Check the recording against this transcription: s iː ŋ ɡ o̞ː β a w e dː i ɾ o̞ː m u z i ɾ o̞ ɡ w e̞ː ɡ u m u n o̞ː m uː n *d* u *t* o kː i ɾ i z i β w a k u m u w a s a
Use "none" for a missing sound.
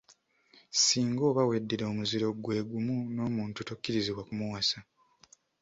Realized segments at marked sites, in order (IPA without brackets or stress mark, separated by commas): t, t